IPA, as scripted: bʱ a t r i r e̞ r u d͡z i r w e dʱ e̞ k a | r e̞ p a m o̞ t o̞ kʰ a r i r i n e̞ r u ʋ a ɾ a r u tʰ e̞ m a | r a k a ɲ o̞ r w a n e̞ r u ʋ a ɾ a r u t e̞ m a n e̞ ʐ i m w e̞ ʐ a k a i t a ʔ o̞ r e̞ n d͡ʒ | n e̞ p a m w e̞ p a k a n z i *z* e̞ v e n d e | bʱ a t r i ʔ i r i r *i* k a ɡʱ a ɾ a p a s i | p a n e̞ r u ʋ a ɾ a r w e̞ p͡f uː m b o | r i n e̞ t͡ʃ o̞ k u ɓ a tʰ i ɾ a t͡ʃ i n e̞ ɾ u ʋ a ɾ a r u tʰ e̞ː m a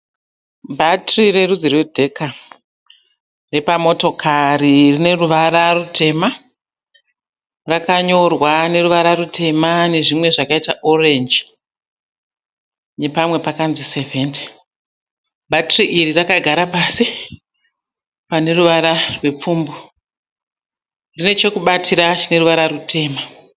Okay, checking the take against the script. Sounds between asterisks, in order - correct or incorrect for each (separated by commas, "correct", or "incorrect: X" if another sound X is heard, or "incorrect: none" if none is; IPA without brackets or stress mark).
incorrect: s, incorrect: a